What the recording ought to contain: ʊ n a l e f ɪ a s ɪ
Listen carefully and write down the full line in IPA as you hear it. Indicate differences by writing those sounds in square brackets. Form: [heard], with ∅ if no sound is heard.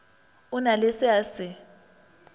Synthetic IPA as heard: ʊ n a l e [s] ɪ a s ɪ